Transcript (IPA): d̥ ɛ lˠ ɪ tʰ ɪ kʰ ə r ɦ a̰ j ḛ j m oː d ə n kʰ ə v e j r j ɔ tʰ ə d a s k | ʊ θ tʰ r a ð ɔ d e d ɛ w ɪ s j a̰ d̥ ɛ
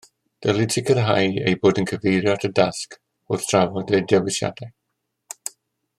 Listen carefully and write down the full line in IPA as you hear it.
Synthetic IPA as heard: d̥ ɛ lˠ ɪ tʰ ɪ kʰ ə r ɦ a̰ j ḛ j b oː d ə n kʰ ə v e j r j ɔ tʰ ə d a s k | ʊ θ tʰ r a v ɔ d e d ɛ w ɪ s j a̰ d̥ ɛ